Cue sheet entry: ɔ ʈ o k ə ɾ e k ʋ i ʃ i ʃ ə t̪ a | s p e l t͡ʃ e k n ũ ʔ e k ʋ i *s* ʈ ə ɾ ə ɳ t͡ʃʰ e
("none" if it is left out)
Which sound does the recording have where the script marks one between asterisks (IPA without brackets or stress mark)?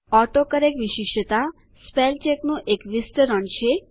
s